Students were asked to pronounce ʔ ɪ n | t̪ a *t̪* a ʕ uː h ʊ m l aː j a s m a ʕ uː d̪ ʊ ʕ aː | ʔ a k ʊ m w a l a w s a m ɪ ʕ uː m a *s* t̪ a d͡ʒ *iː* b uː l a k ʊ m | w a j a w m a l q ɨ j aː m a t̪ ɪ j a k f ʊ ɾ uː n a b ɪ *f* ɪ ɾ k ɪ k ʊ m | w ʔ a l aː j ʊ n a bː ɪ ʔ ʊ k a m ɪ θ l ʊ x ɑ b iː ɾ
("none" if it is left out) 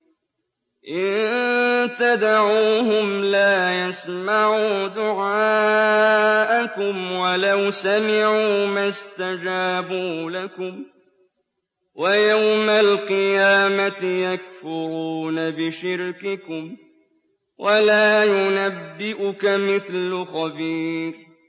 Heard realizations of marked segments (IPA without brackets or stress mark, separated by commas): d̪, s, aː, ʃ